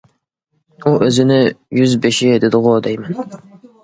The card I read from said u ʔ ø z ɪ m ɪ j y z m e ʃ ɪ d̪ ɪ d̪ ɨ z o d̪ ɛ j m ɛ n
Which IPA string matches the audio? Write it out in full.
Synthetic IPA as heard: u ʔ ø z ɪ n ɪ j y z b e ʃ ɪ d̪ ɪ d̪ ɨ ʁ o d̪ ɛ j m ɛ n